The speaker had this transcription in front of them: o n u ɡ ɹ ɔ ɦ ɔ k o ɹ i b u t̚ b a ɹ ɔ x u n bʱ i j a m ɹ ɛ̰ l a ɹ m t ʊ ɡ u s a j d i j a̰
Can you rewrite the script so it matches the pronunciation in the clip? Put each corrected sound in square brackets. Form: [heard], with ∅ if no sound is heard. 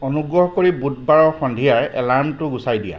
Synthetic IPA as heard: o n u ɡ ɹ ɔ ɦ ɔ k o ɹ i b u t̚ b a ɹ ɔ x [ɔ] n [dʱ] i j a [∅] ɹ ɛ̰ l a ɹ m t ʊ ɡ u s a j d i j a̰